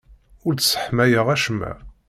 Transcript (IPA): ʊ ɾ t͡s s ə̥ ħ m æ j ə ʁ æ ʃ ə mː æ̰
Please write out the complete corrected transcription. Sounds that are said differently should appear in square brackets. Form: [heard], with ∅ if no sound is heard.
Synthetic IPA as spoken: ʊ ɾ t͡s s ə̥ ħ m æ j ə ʁ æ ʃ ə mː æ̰

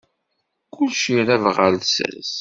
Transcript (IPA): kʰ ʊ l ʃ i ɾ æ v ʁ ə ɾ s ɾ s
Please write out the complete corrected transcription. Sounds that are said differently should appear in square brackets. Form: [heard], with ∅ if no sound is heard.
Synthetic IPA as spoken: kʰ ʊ l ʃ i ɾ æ v ʁ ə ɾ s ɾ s

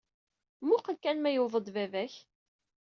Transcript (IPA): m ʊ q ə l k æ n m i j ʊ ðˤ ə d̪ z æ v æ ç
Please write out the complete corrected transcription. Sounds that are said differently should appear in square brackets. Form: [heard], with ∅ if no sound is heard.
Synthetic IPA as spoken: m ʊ q ə l k æ n m [æ] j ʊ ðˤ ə d̪ [v] æ v æ ç

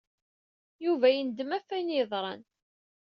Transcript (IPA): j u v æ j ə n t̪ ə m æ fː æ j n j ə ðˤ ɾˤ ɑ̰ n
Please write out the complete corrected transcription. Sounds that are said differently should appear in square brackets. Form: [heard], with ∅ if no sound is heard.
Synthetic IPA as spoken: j u v æ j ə n [d̪] ə m æ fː æ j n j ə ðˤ ɾˤ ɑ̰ n

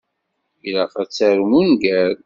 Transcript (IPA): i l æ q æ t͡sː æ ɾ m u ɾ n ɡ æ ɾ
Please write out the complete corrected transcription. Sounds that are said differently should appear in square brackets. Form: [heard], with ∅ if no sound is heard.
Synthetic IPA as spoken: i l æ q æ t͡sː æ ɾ m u [∅] n ɡ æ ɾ

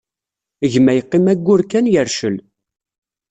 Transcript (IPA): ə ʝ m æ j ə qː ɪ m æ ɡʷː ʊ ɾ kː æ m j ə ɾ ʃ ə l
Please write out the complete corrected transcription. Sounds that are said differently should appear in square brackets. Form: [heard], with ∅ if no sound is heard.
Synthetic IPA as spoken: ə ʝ m æ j ə qː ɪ m æ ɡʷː ʊ ɾ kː æ [n] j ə ɾ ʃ ə l

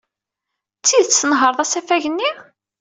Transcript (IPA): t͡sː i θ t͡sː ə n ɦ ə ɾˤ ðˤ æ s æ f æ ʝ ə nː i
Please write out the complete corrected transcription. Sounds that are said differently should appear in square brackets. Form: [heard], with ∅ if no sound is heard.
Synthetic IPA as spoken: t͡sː i [ð] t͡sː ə n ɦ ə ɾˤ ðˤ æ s æ f æ ʝ ə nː i

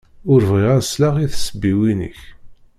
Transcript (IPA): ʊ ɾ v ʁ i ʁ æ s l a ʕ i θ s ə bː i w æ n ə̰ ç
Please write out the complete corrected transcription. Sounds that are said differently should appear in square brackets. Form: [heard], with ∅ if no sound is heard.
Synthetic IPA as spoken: ʊ ɾ v ʁ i ʁ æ s l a [ʁ] i θ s ə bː i w [i] n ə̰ ç

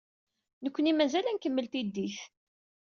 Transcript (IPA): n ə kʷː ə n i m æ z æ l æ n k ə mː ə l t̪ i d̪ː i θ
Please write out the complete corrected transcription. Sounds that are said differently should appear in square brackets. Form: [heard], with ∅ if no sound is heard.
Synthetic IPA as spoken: n ə kʷː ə n i m æ z æ l æ n k ə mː ə l t̪ i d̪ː i θ

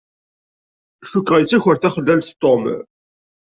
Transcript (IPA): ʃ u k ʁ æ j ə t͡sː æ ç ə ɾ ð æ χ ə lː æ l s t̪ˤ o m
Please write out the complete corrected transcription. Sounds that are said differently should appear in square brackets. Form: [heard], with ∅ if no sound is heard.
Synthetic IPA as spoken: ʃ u k ʁ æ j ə t͡sː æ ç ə ɾ [θ] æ χ ə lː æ l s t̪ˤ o m

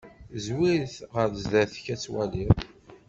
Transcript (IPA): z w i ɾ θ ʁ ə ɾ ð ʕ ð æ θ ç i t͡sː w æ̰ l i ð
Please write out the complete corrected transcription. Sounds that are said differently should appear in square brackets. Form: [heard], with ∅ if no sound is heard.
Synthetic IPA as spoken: z w i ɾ θ ʁ ə ɾ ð [z] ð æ θ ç [æ] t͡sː w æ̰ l i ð

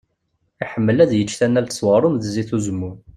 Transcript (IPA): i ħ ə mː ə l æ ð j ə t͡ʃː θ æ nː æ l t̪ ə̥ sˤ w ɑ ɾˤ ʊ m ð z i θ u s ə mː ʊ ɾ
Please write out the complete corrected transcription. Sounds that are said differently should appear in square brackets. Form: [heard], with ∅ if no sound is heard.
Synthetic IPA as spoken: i ħ ə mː ə l æ ð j ə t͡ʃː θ æ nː æ l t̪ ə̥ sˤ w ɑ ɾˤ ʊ m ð z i θ u [z] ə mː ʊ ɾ

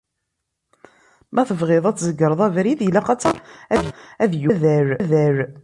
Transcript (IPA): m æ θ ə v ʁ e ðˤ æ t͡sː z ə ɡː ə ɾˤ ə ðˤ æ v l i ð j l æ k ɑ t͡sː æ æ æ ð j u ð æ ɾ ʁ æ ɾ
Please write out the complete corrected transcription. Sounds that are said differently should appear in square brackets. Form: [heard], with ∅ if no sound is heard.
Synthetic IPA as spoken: m æ θ ə v ʁ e ðˤ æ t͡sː z ə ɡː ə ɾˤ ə ðˤ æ v [ɾ] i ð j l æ [q] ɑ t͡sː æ æ æ ð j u ð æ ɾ [ð] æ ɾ

